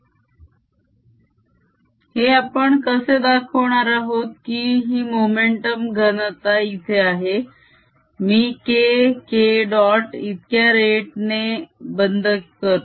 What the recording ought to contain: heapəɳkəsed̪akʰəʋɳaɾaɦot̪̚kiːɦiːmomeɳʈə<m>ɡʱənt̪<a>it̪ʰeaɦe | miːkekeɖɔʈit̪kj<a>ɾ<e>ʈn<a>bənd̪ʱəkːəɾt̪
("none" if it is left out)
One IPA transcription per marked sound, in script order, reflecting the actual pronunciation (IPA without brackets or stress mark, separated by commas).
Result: m, a, a, e, e